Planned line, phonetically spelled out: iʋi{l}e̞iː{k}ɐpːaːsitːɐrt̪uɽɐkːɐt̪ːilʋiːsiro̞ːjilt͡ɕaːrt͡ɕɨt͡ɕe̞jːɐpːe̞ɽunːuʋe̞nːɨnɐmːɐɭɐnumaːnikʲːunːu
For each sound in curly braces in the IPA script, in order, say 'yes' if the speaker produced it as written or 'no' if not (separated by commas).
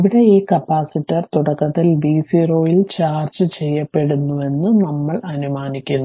no, yes